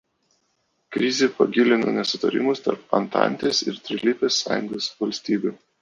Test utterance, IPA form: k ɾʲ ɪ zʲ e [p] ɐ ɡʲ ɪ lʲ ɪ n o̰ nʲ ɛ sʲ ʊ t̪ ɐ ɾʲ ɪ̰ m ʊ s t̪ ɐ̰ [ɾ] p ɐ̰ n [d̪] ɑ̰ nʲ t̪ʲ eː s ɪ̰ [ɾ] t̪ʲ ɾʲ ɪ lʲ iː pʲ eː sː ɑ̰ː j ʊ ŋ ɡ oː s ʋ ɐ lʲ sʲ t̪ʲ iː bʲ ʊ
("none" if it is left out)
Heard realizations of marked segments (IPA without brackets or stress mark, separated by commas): p, ɾ, t̪, ɾ